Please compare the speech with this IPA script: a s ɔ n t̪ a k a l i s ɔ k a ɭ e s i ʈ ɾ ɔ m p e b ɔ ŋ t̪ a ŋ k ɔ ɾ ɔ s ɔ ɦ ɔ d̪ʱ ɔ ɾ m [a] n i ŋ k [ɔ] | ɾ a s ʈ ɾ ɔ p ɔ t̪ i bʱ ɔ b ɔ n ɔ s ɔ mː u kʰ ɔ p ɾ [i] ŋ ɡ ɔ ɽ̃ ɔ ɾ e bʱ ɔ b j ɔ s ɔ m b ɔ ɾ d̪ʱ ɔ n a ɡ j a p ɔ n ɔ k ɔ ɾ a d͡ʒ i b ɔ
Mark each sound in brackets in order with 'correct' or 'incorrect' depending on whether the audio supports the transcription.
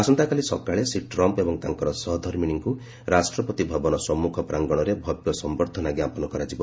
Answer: incorrect: i, incorrect: u, incorrect: a

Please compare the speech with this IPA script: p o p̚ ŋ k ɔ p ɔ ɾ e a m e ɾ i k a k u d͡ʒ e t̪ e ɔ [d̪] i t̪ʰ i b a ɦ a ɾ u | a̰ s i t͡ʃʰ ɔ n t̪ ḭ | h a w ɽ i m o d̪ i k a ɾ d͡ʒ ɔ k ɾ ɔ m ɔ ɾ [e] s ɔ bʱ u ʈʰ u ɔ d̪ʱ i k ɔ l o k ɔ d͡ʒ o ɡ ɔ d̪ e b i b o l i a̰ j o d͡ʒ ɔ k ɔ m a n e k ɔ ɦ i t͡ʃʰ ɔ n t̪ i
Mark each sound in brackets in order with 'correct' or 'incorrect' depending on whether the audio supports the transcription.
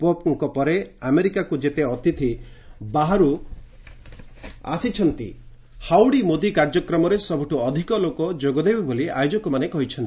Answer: incorrect: t̪, correct

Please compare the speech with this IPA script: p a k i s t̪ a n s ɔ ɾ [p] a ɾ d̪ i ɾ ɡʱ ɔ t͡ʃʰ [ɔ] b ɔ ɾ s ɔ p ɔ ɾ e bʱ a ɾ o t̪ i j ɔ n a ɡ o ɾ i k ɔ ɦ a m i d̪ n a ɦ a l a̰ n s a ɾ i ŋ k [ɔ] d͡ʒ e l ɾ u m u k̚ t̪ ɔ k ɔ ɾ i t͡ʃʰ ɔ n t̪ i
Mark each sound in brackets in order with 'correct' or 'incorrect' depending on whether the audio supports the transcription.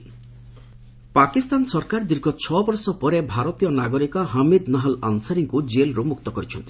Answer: incorrect: k, correct, incorrect: u

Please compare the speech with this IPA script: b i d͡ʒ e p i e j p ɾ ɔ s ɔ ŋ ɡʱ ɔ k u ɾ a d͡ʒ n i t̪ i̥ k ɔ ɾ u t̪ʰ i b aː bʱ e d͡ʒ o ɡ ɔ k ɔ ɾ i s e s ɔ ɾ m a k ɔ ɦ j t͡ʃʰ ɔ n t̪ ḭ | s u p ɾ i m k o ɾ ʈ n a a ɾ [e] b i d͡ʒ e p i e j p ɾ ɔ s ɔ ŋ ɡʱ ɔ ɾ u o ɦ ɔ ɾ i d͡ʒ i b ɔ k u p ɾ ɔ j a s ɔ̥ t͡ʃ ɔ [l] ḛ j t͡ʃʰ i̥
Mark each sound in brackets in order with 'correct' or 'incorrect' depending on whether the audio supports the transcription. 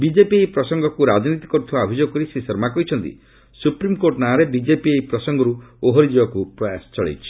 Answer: correct, incorrect: ɭ

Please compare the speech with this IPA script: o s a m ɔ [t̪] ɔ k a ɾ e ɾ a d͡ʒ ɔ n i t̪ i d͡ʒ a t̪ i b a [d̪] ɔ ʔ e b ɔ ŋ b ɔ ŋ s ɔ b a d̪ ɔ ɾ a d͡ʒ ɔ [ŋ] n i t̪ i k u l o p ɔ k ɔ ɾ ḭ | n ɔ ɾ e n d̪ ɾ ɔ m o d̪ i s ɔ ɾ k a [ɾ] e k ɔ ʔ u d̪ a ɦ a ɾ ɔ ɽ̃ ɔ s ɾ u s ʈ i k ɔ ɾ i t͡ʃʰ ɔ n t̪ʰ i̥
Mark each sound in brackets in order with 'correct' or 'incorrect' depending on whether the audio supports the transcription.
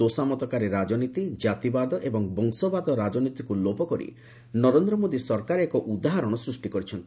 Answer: correct, correct, incorrect: none, correct

